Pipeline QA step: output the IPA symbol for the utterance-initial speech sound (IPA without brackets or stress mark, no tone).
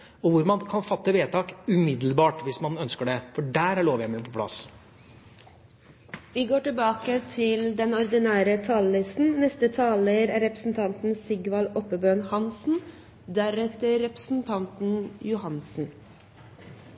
ɔ